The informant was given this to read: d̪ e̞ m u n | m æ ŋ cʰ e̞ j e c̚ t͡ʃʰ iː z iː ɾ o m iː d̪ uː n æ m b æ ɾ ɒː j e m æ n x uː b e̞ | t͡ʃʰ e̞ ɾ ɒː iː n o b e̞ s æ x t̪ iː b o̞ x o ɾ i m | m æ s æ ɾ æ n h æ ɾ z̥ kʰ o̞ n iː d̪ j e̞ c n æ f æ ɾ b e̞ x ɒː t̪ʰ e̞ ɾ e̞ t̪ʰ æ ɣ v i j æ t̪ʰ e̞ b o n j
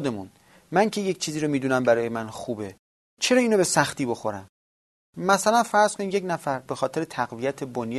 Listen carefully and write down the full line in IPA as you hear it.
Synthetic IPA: d̪ e̞ m u n | m æ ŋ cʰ e̞ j e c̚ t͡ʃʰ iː z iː ɾ o m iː d̪ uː n æ m b æ ɾ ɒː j e m æ n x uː b e̞ | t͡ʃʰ e̞ ɾ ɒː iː n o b e̞ s æ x t̪ iː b o̞ x o ɾ æ m | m æ s æ l æ n f æ ɾ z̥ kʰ o̞ n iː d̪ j e̞ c n æ f æ ɾ b e̞ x ɒː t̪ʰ e̞ ɾ e̞ t̪ʰ æ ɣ v i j æ t̪ʰ e̞ b o n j